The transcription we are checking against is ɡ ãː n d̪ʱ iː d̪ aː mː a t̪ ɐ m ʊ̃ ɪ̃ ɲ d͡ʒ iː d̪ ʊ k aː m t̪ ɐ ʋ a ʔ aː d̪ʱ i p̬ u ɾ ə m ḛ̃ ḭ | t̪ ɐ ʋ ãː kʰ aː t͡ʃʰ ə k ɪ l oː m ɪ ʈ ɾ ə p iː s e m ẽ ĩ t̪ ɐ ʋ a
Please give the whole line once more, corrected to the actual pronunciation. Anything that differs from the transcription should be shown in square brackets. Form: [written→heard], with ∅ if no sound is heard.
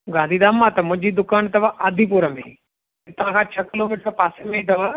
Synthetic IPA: ɡ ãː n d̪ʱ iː d̪ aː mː a t̪ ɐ m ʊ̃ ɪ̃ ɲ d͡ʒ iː d̪ ʊ k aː [m→n] t̪ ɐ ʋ a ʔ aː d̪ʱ i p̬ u ɾ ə m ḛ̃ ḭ | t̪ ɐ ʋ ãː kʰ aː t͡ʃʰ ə k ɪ l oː m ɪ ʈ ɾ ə p [iː→aː] s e m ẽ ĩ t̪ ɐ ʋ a